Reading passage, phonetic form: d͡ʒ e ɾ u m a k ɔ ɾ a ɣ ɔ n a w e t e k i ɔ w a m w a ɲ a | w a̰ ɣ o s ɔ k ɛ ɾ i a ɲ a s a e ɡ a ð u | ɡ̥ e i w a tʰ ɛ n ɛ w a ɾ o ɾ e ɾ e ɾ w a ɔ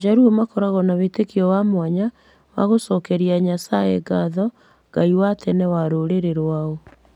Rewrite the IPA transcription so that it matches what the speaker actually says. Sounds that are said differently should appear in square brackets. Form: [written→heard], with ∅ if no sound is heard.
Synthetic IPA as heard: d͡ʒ [e→a] ɾ u m a k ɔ ɾ a ɣ ɔ n a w e t e k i ɔ w a m w a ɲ a | w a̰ ɣ o s ɔ k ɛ ɾ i a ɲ a s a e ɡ a ð [u→ɔ] | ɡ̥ [e→a] i w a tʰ ɛ n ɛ w a ɾ o ɾ e ɾ e ɾ w a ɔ